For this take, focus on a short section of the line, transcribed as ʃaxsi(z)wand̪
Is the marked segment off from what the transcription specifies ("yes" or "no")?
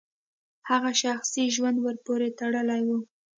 yes